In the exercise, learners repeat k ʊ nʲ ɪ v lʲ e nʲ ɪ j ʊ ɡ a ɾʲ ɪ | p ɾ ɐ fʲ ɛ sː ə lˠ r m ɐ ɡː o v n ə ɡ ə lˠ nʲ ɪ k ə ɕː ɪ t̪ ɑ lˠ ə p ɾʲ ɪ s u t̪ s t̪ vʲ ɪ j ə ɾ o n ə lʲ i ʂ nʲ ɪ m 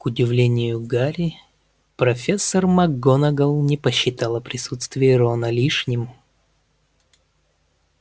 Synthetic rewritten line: k ʊ dʲ ɪ v lʲ e nʲ ɪ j ʊ ɡ a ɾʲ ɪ | p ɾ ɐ fʲ e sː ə r m ɐ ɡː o n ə ɡ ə lˠ nʲ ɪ p ə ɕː ɪ t̪ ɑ lˠ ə p ɾʲ ɪ s u t̪ s t̪ vʲ ɪ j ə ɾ o n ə lʲ i ʂ nʲ ɪ m